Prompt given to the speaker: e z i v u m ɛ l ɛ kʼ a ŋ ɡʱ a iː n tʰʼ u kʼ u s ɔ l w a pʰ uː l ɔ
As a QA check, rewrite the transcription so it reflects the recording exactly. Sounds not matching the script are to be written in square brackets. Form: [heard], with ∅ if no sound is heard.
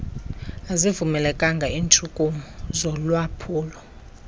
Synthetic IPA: [a] z i v u m ɛ l ɛ kʼ a ŋ ɡʱ a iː n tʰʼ u kʼ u [z] ɔ l w a pʰ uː l ɔ

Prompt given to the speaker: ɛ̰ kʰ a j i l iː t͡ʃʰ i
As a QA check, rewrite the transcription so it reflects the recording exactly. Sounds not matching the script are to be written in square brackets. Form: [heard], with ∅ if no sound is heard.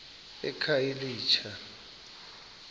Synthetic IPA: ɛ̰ kʰ a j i l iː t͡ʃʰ [a]

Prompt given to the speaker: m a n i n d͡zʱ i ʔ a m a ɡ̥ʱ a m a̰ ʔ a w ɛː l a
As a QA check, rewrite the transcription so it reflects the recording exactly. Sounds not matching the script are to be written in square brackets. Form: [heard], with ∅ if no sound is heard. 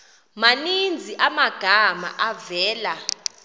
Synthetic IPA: m a n i n d͡zʱ i ʔ a m a ɡ̥ʱ a m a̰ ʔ a [v] ɛː l a

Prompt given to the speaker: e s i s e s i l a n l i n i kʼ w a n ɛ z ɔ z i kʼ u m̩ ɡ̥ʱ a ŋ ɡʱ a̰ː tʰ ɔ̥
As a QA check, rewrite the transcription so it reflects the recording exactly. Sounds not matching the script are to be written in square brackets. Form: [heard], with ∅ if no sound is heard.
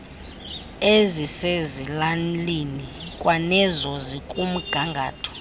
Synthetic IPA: e [z] i s e [z] i l a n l i n i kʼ w a n ɛ z ɔ z i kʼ u m̩ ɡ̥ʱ a ŋ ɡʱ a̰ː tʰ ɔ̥

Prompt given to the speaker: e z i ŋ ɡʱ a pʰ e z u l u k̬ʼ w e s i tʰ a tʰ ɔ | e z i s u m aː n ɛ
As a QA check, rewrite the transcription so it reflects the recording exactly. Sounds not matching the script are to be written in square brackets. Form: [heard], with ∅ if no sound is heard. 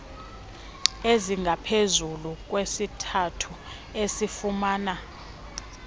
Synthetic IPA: e z i ŋ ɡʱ a pʰ e z u l u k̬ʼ w e s i tʰ a tʰ [u] | e [s] i [f] u m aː n [a]

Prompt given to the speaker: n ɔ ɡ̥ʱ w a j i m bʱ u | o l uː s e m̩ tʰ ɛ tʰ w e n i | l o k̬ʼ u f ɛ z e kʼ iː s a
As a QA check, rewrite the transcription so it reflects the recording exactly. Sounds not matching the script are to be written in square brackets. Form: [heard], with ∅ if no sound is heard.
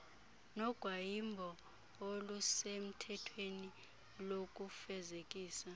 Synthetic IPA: n ɔ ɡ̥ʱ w a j i m bʱ [ɔ] | o l [u] s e m̩ tʰ ɛ tʰ w e n i | l o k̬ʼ u f ɛ z e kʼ iː s a

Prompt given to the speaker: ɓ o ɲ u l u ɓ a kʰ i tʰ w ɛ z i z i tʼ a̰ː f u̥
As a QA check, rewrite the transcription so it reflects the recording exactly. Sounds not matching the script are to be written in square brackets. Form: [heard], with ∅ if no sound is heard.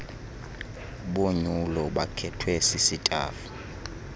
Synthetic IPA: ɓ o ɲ u l [ɔ] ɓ a kʰ [ɛ] tʰ w ɛ [s] i [s] i tʼ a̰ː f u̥

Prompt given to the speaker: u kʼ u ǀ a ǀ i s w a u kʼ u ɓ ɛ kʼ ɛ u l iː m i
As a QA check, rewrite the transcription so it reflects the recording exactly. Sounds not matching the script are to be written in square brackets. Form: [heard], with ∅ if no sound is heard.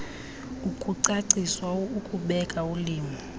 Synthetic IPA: u kʼ u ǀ a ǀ i s w a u kʼ u ɓ ɛ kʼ [a] u l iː m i

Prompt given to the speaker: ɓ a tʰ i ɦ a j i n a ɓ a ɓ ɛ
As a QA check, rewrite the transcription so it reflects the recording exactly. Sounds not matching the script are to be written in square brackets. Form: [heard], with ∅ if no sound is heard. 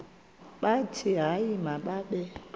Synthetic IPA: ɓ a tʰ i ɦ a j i [m] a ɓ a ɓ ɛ

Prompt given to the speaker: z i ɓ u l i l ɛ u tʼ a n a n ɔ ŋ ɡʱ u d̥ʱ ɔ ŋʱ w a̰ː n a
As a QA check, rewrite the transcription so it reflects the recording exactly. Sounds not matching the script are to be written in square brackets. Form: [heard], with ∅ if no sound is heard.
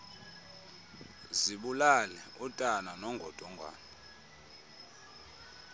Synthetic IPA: z i ɓ u l [a] l ɛ u tʼ a n a n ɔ ŋ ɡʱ [ɔ] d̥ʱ ɔ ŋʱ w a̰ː n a

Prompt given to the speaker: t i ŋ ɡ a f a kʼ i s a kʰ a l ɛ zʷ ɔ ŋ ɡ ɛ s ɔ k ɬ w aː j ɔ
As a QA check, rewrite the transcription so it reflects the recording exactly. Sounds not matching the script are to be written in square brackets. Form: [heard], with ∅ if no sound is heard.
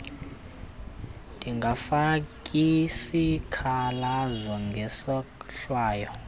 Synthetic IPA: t i ŋ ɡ a f a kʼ i s [i] kʰ a l [a] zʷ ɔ ŋ ɡ ɛ s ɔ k ɬ w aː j ɔ

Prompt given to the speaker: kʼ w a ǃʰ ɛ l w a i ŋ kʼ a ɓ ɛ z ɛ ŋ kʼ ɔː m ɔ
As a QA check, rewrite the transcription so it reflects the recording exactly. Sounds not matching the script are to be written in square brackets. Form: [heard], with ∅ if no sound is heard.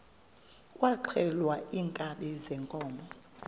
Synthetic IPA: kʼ w a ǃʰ ɛ l w a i ŋ kʼ a ɓ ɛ z ɛ ŋ kʼ ɔː m ɔ

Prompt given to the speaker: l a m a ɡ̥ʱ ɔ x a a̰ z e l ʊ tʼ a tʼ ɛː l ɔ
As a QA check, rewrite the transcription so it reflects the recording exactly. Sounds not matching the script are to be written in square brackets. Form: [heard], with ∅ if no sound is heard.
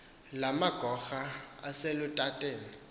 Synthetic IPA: l a m a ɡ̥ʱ ɔ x a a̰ [s] e l ʊ tʼ a tʼ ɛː l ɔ

